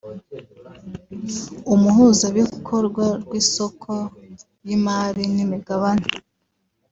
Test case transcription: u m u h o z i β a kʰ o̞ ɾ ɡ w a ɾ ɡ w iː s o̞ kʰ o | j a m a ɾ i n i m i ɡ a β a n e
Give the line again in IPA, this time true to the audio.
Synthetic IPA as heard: u m u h u z a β i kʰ o̞ ɾ ɡ w a ɾ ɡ w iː s o̞ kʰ o | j i m a ɾ i n i m i ɡ a β a n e